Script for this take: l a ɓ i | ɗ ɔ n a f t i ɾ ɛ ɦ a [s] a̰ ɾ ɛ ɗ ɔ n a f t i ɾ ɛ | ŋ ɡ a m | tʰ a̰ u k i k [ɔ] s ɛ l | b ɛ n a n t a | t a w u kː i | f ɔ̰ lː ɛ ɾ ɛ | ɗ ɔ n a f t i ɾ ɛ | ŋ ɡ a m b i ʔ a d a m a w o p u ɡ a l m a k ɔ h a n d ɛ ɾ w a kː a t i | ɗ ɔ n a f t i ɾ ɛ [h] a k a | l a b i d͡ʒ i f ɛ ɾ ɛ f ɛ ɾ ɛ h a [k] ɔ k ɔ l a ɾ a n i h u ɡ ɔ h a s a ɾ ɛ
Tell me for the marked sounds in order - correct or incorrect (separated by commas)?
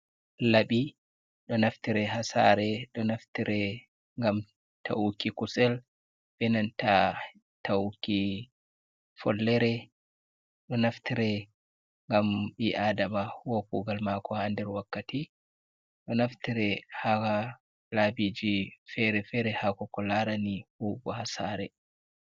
correct, incorrect, correct, correct